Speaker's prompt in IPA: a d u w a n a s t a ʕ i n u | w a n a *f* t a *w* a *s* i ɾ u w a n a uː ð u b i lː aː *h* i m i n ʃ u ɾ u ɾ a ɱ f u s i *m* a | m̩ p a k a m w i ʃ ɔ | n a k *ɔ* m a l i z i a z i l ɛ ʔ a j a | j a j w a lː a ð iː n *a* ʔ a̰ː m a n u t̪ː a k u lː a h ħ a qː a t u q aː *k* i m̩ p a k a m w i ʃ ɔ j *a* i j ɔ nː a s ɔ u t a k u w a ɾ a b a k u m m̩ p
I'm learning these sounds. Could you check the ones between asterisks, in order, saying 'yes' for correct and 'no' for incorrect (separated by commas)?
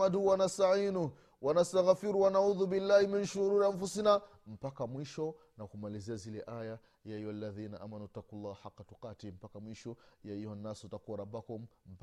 no, no, no, yes, no, no, yes, no, yes